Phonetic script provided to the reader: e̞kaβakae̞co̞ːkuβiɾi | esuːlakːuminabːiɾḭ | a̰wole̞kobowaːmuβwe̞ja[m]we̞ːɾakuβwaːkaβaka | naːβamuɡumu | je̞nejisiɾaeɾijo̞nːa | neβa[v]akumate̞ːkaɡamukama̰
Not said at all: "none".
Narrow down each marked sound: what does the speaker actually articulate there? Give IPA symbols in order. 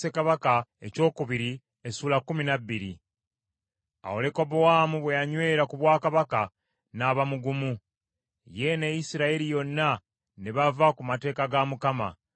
ɲ, v

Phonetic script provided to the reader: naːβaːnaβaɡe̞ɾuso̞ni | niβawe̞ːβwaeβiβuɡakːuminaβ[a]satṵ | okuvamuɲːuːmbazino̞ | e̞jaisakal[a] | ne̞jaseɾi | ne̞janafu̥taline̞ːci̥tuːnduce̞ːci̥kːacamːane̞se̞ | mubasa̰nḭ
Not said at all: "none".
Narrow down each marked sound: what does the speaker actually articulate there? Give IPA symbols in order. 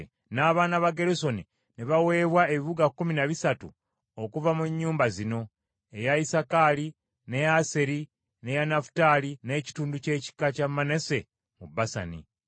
i, i

